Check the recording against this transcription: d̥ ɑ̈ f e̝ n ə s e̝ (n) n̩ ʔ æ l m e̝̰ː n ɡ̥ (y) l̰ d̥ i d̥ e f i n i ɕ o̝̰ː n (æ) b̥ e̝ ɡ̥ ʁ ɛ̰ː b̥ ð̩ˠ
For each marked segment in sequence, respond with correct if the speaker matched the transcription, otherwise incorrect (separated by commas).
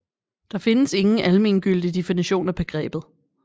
incorrect, correct, correct